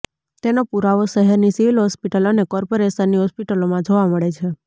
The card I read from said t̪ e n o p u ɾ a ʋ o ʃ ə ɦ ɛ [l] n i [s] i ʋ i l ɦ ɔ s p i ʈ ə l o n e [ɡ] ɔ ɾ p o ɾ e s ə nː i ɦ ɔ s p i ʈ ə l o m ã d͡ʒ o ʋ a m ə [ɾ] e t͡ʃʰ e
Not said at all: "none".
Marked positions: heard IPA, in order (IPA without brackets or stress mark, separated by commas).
ɾ, s, k, ɭ